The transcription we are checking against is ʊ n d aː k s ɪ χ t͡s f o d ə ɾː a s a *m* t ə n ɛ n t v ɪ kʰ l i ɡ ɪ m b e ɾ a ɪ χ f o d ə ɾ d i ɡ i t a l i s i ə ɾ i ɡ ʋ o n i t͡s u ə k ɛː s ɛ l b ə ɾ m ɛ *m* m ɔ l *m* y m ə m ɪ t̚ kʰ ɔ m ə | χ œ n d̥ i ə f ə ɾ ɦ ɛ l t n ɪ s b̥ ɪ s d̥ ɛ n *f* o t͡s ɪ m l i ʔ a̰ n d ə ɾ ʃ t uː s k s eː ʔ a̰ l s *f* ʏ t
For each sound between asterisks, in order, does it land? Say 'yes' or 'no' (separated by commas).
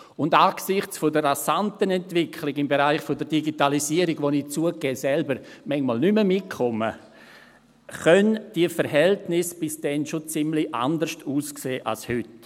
no, no, no, no, no